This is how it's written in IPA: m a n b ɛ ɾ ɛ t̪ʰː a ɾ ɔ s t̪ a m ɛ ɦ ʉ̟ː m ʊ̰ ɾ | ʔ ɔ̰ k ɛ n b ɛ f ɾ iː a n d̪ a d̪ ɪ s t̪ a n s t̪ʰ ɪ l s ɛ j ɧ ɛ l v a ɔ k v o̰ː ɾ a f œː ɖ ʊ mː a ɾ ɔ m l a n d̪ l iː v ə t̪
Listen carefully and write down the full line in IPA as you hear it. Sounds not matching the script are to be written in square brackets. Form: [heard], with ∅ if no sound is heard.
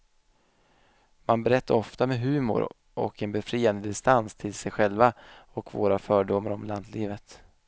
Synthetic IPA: m a n b ɛ ɾ ɛ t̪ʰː a ɾ ɔ [f] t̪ a m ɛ ɦ ʉ̟ː m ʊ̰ ɾ | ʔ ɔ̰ k ɛ n b ɛ f ɾ iː a n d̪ [ə] d̪ ɪ s t̪ a n s t̪ʰ ɪ l s ɛ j ɧ ɛ l v a ɔ k v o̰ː ɾ a f œː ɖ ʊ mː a ɾ ɔ m l a n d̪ l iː v ə t̪